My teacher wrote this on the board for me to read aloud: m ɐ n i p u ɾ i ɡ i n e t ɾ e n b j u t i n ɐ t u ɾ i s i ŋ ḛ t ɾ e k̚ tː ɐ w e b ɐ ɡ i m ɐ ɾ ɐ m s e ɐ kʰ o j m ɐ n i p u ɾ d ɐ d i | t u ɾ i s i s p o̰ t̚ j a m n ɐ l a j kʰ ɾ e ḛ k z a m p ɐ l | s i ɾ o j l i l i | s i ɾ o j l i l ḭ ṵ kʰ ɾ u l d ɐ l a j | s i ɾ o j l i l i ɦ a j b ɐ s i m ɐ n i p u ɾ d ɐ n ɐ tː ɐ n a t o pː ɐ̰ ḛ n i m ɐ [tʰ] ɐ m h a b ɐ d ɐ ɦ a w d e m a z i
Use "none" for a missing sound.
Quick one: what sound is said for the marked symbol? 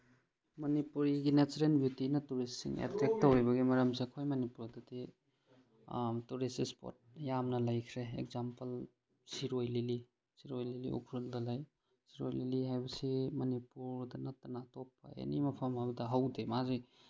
pʰ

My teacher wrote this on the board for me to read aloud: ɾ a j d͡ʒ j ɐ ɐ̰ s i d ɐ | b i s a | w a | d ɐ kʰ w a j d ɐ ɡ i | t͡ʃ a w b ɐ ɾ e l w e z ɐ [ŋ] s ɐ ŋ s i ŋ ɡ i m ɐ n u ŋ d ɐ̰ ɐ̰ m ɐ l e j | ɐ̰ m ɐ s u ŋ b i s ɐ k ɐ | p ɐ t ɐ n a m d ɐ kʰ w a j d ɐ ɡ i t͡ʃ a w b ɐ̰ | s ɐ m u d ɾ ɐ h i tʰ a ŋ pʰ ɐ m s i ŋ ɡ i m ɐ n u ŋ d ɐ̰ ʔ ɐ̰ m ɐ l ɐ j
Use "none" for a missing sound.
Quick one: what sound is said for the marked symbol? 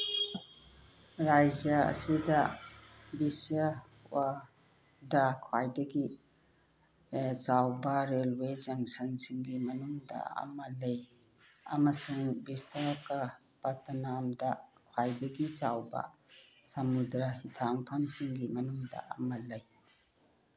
ŋ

